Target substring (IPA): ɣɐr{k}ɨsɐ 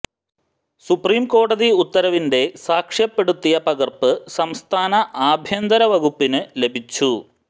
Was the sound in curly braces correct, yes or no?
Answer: no